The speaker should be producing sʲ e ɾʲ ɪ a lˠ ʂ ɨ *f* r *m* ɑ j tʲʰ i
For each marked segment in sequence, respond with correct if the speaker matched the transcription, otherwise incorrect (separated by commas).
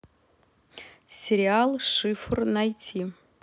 correct, incorrect